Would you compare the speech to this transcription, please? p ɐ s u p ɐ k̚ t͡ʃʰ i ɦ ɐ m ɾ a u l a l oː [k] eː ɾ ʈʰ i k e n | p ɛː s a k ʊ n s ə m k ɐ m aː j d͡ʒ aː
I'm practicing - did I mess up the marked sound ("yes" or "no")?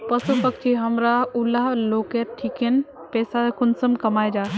no